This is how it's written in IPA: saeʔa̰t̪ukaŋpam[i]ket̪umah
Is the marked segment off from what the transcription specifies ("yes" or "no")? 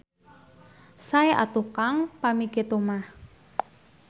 no